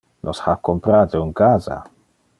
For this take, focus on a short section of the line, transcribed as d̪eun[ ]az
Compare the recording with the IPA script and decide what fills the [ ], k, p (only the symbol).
k